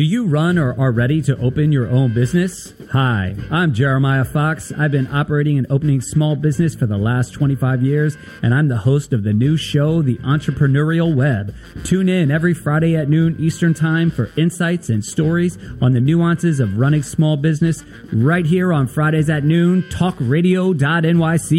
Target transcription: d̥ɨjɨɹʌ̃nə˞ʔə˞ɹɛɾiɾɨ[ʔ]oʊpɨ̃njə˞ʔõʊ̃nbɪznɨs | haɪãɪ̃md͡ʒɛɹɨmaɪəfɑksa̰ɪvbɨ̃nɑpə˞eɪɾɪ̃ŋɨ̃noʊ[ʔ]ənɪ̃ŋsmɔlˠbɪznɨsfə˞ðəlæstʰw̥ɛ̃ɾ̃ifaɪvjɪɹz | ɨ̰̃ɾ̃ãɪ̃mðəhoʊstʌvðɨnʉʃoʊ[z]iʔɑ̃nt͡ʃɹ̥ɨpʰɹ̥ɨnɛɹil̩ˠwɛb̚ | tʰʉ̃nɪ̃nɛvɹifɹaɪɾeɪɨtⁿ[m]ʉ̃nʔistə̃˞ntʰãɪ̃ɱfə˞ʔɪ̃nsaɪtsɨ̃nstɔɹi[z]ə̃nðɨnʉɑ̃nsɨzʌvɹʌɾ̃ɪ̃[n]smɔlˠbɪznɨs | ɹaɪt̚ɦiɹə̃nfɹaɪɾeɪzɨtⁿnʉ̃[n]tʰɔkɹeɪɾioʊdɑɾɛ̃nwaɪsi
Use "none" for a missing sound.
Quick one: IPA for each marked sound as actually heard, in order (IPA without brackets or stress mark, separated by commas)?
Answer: ʔ, p, ð, n, z, ŋ, n